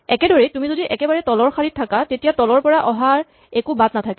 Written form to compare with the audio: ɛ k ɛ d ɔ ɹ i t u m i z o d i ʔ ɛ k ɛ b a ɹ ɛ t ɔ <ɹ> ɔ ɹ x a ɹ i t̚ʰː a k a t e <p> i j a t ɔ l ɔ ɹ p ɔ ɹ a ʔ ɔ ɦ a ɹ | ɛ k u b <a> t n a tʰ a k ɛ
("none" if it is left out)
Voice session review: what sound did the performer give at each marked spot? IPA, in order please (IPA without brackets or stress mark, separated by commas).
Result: l, t, a